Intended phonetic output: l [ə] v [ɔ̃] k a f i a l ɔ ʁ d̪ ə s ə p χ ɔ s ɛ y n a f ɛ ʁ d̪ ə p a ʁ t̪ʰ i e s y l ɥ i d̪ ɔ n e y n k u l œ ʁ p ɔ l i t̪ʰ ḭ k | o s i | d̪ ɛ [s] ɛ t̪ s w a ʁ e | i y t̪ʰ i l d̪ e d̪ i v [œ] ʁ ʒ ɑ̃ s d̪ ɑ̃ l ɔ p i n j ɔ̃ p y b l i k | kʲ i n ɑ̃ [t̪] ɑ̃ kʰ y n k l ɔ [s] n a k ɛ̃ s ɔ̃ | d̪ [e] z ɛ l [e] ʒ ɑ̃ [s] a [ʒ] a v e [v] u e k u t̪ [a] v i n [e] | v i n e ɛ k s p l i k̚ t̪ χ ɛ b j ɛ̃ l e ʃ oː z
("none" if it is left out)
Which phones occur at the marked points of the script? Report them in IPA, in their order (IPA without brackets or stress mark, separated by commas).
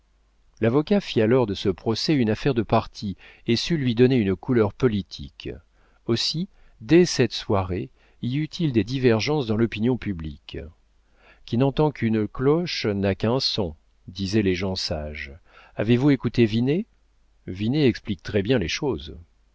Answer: a, ɔ, s, ɛ, t̪, ʃ, i, e, s, ʒ, v, e, e